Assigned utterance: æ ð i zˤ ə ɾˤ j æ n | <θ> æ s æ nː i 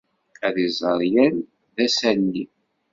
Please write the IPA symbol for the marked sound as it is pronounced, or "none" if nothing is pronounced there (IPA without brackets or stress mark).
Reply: ð